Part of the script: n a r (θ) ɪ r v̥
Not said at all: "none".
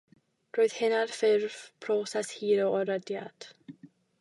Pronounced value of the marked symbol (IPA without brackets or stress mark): f